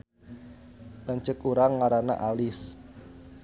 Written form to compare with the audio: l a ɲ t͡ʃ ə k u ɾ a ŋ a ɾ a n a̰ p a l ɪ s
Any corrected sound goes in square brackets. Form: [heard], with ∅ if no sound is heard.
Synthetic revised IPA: l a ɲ t͡ʃ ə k u ɾ a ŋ a ɾ a n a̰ [ʔ] a l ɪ s